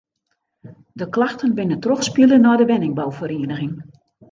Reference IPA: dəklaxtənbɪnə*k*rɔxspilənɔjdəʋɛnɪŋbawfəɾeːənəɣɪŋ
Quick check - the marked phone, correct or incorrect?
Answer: incorrect